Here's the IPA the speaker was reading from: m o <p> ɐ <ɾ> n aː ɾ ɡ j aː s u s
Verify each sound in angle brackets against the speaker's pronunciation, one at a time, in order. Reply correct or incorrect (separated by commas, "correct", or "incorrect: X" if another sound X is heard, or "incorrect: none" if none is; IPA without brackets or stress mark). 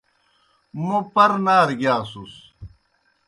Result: correct, correct